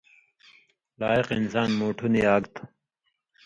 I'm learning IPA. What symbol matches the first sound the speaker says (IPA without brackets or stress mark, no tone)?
l